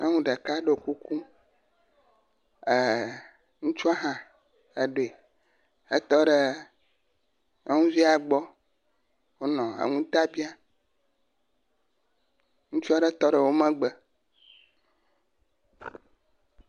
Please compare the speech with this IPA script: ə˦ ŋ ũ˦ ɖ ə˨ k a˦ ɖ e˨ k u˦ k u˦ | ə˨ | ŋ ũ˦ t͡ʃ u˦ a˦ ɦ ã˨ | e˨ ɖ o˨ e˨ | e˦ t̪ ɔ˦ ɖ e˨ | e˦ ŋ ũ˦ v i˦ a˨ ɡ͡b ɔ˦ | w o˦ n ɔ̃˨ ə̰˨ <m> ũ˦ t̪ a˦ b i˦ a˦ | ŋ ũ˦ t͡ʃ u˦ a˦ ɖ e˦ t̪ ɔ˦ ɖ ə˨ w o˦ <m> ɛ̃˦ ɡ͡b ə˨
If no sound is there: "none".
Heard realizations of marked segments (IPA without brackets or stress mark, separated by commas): ŋ, m